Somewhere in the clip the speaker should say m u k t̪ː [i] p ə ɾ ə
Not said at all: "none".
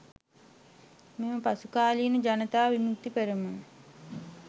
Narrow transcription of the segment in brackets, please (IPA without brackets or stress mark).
i